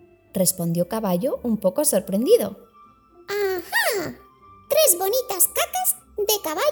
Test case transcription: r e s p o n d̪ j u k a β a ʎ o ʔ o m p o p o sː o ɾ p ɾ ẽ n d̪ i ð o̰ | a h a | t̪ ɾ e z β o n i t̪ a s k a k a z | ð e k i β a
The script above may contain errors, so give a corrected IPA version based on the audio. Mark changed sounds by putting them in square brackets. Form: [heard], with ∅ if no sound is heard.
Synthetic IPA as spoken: r e s p o n d̪ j [o] k a β a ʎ o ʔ [u] m p o [k] o [s] o ɾ p ɾ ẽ n d̪ i ð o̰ | a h a | t̪ ɾ e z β o n i t̪ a s k a k a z | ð e k [a] β a